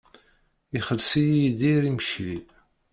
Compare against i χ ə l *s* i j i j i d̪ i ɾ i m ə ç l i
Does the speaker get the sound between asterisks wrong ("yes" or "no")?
no